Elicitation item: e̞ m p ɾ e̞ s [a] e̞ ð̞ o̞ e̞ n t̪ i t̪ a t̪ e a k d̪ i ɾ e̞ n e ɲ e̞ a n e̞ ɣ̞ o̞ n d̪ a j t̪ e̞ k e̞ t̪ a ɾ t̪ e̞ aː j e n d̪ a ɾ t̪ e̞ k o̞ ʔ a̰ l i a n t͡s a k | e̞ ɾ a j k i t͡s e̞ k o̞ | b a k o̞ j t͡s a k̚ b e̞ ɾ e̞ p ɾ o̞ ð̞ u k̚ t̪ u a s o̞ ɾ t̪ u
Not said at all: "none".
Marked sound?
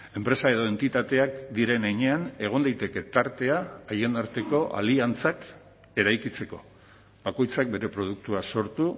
a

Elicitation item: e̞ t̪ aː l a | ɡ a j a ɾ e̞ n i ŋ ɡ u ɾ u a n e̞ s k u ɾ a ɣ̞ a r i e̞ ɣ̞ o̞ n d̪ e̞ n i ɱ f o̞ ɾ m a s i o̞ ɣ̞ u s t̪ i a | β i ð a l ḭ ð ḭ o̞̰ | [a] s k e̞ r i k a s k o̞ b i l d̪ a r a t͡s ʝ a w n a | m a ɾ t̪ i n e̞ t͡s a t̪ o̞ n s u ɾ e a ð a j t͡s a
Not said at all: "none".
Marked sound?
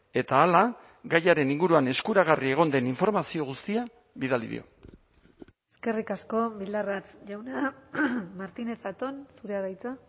e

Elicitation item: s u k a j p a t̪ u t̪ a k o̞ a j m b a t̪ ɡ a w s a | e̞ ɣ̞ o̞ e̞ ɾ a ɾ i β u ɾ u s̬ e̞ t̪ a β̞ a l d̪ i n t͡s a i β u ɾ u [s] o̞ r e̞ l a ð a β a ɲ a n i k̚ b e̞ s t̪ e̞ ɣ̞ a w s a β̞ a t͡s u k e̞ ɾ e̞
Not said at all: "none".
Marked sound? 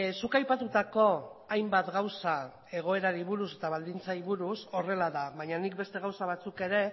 s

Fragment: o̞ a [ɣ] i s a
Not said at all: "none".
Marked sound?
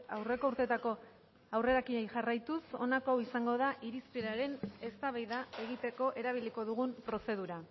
w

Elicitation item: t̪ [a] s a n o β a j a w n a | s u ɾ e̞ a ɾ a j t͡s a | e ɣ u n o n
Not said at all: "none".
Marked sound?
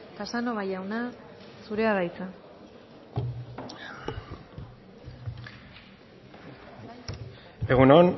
a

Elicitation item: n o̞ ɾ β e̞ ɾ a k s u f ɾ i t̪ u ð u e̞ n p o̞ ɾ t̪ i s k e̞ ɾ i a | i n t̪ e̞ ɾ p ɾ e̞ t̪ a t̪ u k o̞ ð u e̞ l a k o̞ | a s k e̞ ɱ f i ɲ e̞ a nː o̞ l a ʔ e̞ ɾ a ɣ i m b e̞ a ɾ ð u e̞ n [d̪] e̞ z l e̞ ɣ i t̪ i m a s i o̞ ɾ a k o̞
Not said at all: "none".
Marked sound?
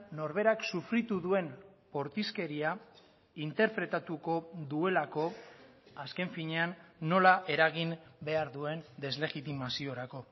d̪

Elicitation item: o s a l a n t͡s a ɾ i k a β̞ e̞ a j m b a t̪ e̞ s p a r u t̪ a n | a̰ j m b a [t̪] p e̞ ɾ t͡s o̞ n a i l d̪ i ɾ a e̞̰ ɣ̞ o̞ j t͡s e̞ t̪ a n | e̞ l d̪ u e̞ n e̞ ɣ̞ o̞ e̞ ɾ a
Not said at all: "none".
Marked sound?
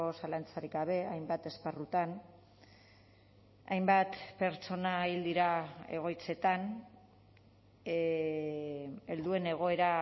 t̪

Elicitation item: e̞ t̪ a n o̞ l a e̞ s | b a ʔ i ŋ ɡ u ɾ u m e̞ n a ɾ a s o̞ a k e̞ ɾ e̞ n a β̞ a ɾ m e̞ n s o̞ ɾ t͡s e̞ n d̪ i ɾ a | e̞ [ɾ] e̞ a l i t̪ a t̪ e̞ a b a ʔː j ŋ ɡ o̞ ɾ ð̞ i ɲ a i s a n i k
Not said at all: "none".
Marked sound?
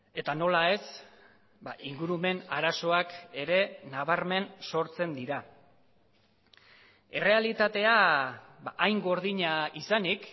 r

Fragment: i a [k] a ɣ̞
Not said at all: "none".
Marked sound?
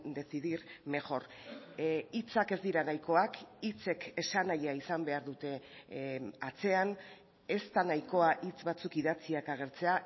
k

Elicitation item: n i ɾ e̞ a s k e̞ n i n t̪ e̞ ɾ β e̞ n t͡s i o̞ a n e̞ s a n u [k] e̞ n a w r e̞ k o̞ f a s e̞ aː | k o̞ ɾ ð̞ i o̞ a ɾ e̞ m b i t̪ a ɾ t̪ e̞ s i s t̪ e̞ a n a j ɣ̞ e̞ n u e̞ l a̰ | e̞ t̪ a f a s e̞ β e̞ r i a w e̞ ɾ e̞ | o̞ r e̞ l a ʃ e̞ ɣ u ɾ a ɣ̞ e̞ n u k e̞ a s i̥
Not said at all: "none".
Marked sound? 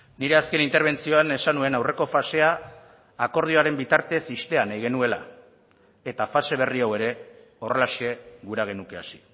none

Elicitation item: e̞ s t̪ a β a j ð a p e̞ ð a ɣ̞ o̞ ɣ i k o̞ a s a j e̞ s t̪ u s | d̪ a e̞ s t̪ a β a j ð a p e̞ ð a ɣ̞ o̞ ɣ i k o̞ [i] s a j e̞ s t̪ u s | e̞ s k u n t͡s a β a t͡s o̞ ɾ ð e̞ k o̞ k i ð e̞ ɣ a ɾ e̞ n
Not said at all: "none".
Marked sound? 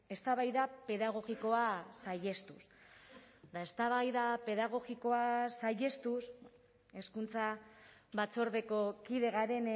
a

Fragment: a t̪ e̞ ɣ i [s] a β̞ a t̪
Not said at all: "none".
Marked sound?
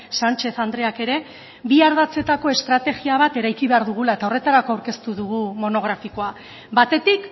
none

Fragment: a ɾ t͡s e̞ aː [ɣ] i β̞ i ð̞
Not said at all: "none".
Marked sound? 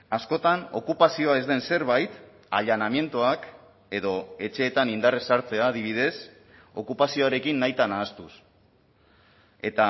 ð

